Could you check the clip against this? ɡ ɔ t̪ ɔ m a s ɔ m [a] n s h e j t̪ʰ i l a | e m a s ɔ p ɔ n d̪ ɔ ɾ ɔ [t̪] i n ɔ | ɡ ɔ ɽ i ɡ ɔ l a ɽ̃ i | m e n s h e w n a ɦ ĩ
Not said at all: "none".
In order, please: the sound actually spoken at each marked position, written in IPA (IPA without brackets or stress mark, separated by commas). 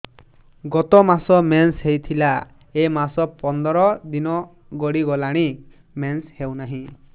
e, d̪